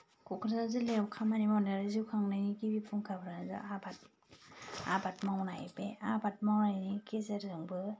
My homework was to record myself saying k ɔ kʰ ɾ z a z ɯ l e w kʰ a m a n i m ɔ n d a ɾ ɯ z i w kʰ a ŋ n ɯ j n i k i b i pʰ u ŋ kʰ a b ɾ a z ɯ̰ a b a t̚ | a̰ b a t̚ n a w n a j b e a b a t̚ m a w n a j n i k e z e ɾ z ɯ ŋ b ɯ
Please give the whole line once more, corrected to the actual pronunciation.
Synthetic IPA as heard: k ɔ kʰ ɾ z a z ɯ l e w kʰ a m a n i m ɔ n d a ɾ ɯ z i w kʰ a ŋ n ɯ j n i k i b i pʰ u ŋ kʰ a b ɾ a z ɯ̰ a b a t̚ | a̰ b a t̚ m a w n a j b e a b a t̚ m a w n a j n i k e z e ɾ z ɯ ŋ b ɯ